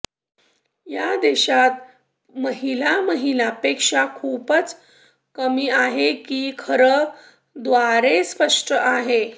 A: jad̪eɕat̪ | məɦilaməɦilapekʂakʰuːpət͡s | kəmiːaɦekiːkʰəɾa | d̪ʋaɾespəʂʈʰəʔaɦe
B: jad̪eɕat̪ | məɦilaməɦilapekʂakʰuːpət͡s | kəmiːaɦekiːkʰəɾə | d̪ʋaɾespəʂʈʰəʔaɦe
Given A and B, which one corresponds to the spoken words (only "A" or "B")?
B